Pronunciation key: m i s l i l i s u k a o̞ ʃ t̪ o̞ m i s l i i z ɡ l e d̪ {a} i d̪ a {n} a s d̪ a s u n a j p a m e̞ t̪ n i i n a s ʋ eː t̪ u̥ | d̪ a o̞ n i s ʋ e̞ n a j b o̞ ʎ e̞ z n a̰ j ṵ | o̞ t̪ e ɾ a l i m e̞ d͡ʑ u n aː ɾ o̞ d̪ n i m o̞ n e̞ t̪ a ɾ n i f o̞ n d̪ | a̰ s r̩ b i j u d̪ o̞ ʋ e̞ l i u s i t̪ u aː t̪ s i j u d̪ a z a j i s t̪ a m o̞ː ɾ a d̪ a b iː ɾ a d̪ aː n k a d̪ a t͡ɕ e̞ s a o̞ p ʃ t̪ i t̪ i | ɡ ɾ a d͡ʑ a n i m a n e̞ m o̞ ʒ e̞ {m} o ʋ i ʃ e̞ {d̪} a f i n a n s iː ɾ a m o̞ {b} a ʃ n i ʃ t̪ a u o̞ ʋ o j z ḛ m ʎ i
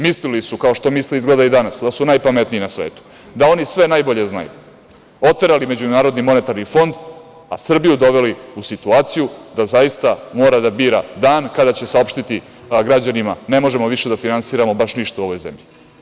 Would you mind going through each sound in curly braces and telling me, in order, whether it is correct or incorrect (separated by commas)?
correct, correct, correct, correct, correct